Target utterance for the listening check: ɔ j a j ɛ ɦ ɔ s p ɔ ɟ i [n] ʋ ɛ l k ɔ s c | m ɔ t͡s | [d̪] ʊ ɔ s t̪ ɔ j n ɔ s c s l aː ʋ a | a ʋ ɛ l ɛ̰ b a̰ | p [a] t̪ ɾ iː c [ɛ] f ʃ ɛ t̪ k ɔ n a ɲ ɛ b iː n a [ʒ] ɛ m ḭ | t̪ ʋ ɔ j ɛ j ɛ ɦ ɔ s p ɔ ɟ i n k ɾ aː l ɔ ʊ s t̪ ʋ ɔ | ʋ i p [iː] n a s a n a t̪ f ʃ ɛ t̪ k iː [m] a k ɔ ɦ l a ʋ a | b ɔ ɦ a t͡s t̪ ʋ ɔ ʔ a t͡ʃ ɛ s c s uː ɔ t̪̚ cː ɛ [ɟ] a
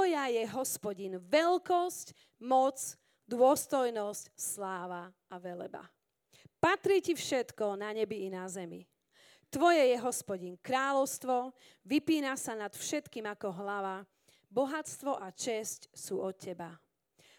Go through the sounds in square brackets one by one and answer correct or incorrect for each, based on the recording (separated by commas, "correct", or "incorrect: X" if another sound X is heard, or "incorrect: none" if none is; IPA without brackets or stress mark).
correct, correct, correct, incorrect: i, incorrect: z, correct, correct, incorrect: b